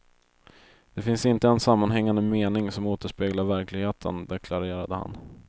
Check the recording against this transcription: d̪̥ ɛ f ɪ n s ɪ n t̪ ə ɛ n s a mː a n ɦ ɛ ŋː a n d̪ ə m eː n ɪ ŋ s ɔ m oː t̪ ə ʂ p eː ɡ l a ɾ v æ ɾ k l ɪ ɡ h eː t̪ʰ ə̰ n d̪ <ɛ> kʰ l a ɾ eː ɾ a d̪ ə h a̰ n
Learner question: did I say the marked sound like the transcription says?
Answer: yes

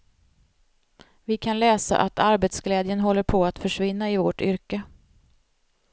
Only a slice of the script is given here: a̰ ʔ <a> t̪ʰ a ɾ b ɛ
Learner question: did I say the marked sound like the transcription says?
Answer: yes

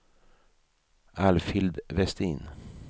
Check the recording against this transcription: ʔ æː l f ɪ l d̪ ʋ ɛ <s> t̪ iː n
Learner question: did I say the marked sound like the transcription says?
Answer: yes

